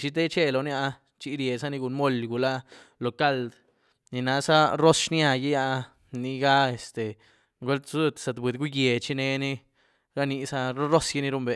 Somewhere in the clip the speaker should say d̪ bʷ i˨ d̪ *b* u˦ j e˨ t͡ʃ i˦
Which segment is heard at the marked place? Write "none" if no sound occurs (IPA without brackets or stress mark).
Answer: ɡ